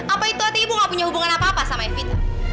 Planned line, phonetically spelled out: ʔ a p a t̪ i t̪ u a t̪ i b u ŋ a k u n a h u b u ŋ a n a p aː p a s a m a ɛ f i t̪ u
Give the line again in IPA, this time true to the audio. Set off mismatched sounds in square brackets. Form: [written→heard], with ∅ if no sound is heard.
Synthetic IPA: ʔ a p a [t̪→∅] i t̪ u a t̪ i b u ŋ a [k→p] u [n→ɲ] a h u b u ŋ a n a p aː p a s a m a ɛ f i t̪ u